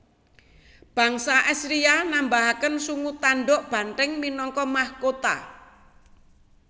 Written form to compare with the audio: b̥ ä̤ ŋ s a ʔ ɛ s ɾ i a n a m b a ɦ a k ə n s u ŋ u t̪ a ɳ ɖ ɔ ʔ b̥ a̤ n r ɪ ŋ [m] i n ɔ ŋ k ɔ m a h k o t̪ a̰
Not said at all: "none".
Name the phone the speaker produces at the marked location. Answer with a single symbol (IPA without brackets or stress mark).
m